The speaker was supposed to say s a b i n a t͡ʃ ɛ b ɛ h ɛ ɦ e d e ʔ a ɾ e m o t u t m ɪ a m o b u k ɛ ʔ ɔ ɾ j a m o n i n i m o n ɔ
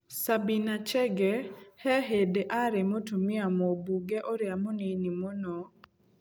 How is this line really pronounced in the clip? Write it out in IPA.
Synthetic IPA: s a b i n a t͡ʃ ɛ ɡ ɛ h ɛ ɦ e d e ʔ a ɾ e m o t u m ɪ a m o b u ɡ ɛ ʔ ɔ ɾ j a m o n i n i m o n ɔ